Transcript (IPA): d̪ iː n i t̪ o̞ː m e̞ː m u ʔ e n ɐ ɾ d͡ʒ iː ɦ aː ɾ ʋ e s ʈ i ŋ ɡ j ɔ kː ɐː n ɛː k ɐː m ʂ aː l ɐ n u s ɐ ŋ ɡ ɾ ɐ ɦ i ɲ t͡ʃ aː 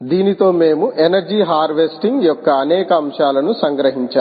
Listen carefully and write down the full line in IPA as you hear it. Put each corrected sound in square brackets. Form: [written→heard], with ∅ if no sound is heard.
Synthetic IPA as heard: d̪ iː n i t̪ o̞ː m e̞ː m u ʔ e n ɐ ɾ d͡ʒ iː ɦ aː ɾ ʋ e s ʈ i ŋ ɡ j ɔ kː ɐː n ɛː k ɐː m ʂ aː l ɐ n u s ɐ ŋ ɡ ɾ ɐ ɦ i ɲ t͡ʃ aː